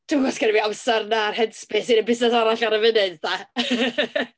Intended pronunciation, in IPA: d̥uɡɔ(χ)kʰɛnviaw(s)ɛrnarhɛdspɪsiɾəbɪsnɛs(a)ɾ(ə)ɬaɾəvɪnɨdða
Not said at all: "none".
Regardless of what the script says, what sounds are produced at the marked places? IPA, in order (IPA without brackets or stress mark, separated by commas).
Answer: s, s, a, a